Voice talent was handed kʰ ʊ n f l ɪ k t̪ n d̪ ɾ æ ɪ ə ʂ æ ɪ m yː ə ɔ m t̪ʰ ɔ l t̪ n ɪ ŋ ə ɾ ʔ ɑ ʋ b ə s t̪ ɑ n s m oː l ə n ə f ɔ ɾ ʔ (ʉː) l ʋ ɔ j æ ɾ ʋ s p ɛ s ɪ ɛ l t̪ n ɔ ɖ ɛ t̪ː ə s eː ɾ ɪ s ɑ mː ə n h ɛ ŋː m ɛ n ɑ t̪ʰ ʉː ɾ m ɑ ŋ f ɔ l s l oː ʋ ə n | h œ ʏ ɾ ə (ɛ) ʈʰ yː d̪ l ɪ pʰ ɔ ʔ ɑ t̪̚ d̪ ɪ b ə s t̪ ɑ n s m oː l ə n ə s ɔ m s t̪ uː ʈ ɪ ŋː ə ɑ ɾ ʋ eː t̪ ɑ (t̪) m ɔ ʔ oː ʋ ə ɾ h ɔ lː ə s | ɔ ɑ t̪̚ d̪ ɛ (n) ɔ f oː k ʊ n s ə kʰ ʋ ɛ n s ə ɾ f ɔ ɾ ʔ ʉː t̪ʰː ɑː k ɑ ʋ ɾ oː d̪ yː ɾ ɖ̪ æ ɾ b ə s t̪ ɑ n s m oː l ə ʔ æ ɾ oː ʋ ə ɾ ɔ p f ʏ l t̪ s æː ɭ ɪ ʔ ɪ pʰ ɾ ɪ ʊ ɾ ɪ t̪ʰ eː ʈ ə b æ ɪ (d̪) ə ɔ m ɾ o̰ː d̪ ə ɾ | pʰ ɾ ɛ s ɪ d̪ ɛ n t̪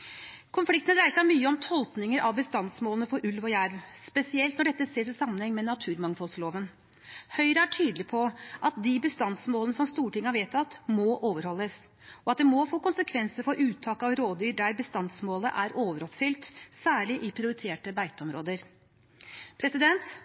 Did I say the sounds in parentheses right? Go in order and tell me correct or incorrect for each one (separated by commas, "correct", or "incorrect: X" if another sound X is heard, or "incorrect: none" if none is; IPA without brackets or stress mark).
incorrect: ʉ, incorrect: æ, correct, incorrect: m, incorrect: t̪